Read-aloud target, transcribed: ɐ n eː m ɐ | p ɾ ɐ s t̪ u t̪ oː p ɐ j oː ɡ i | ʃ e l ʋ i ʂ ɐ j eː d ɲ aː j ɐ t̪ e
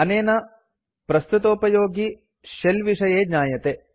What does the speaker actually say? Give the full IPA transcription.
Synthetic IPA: ɐ n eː n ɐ | p ɾ ɐ s t̪ u t̪ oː p ɐ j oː ɡ i | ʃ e l ʋ i ʂ ɐ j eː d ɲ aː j ɐ t̪ e